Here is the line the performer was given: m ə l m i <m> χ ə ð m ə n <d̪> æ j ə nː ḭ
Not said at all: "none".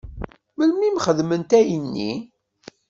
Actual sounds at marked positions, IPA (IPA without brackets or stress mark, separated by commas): m, t̪